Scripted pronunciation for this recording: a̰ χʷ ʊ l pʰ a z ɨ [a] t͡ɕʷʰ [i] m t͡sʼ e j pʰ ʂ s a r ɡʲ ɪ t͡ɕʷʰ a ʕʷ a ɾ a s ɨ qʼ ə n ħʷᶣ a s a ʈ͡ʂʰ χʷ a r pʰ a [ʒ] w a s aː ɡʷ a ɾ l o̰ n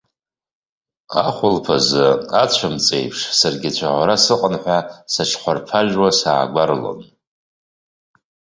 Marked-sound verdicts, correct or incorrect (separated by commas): correct, incorrect, correct